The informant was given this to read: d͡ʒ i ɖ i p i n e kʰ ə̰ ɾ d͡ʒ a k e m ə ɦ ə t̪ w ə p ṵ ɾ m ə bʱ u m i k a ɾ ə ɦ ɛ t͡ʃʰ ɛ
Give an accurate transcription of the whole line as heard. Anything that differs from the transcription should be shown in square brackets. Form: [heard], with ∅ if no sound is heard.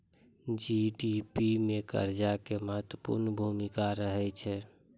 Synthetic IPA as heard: d͡ʒ i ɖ i p i [m] e [k] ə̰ ɾ d͡ʒ a k e m ə ɦ ə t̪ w ə p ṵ ɾ [n] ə bʱ u m i k a ɾ ə ɦ ɛ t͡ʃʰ ɛ